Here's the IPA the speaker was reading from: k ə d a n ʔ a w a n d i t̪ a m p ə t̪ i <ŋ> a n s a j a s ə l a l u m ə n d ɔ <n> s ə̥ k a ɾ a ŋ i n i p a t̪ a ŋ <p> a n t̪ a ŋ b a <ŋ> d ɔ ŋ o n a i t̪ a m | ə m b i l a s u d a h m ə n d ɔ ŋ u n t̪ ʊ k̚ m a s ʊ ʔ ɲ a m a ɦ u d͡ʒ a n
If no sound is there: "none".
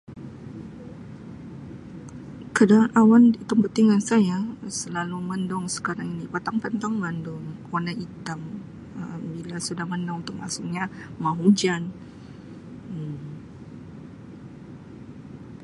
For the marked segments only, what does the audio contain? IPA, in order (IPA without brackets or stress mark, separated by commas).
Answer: ŋ, ŋ, p, n